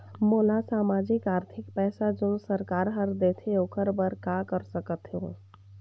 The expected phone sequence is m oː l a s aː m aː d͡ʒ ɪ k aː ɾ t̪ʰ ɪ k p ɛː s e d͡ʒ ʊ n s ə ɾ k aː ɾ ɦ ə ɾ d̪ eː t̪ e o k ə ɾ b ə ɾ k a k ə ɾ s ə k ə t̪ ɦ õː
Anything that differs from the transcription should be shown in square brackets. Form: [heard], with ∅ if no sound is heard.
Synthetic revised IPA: m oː l a s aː m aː d͡ʒ ɪ k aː ɾ t̪ʰ ɪ k p ɛː s [a] d͡ʒ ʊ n s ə ɾ k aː ɾ ɦ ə ɾ d̪ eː [t̪ʰ] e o k ə ɾ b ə ɾ k a k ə ɾ s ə k ə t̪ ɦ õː